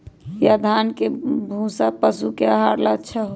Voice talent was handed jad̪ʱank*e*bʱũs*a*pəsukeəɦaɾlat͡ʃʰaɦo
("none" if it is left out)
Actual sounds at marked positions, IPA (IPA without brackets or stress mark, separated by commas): e, a